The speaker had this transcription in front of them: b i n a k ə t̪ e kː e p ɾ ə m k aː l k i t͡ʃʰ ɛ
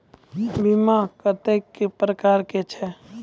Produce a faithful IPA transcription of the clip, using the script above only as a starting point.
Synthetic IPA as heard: b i m a k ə t̪ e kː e p ɾ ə k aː ɾ k e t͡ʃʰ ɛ